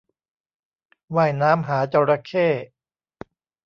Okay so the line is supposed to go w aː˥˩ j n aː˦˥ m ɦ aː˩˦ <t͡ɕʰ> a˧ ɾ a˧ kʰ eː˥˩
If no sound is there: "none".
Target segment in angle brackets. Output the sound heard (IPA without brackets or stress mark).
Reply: t͡ɕ